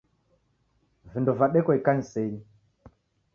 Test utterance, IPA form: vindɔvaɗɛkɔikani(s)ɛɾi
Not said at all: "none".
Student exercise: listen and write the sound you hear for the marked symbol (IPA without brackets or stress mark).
s